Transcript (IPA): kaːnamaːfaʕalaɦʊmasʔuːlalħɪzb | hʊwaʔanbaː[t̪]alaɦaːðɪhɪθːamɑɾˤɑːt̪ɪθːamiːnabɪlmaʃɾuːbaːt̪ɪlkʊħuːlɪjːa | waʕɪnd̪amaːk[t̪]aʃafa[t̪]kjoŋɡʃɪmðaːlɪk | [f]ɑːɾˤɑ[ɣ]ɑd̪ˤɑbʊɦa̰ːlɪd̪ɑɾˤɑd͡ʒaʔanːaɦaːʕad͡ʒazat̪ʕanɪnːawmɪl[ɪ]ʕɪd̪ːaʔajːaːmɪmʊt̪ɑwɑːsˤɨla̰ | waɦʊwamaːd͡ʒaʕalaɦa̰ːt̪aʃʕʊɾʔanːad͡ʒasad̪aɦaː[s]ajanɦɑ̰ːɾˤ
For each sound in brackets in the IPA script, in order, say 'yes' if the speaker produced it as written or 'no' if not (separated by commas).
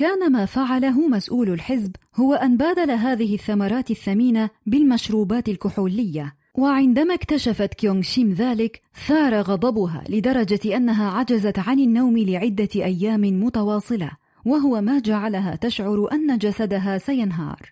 no, yes, yes, no, yes, yes, yes